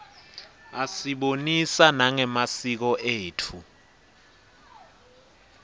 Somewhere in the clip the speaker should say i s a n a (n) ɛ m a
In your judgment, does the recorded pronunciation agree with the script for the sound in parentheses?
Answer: no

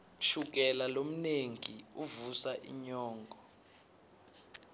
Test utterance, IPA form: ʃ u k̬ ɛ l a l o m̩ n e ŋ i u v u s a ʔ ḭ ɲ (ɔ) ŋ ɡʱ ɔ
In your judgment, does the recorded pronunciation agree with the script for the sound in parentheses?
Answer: no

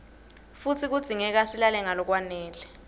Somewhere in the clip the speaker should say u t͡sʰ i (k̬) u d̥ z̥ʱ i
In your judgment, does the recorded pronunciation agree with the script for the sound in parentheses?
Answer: yes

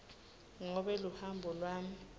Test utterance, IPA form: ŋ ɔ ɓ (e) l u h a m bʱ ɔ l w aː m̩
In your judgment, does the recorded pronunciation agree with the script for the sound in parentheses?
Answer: no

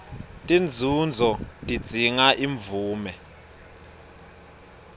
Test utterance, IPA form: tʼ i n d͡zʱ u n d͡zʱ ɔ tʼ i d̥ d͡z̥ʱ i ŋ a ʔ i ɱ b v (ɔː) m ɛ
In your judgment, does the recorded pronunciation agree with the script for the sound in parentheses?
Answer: no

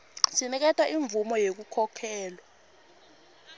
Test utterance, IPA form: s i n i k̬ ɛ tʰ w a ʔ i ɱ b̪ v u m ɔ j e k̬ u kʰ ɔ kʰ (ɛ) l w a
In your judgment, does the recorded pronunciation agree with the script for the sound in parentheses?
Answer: no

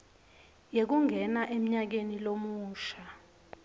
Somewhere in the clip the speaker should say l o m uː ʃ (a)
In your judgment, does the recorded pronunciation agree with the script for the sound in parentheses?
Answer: yes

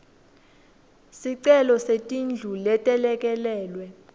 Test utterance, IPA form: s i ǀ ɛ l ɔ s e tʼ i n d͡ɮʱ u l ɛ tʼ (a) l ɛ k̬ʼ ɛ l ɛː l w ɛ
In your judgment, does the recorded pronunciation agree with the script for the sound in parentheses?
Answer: no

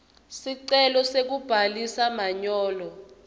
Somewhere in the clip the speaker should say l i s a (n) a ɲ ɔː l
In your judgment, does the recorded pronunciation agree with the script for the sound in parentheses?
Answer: no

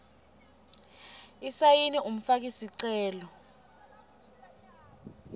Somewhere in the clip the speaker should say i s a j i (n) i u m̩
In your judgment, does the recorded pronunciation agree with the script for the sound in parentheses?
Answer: yes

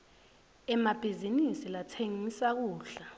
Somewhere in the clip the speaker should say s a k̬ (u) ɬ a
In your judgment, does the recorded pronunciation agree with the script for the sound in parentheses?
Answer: no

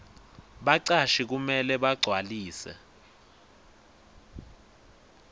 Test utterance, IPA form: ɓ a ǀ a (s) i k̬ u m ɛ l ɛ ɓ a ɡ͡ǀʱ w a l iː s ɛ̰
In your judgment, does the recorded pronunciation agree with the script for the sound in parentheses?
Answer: no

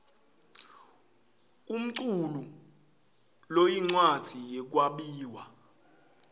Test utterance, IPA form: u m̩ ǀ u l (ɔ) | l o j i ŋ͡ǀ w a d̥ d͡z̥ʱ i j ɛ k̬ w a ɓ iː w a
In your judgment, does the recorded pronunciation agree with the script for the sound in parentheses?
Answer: no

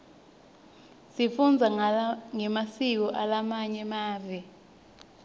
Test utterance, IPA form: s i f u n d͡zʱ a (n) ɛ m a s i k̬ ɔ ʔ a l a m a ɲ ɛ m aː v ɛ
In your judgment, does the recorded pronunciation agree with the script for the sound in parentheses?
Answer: no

